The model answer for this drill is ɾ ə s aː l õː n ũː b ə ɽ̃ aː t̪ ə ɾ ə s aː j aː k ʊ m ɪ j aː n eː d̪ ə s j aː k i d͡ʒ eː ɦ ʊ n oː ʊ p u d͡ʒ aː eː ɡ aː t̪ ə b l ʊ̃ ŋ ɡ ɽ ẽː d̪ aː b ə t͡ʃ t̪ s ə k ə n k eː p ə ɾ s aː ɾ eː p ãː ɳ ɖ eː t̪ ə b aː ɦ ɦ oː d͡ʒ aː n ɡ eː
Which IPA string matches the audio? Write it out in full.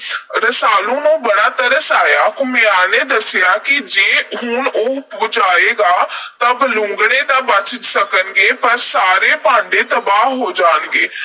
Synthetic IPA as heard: ɾ ə s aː l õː n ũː b ə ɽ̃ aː t̪ ə ɾ ə s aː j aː k ʊ m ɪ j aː n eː d̪ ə s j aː k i d͡ʒ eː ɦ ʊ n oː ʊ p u d͡ʒ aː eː ɡ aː t̪ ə b l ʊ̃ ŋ ɡ ɽ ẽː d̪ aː b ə t͡ʃ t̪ s ə k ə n ɡ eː p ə ɾ s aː ɾ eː p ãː ɳ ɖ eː t̪ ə b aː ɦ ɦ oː d͡ʒ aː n ɡ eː